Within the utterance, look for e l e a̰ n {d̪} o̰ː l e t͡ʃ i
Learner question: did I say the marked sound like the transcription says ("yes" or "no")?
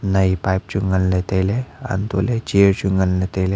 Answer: no